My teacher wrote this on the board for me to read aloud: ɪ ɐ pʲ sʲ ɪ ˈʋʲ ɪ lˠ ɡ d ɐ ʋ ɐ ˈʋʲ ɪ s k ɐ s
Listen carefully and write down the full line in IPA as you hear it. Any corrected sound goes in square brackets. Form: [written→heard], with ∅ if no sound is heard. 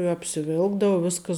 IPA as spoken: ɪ ɐ pʲ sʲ ɪ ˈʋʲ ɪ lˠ ɡ d ɐ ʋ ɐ ˈʋʲ ɪ s k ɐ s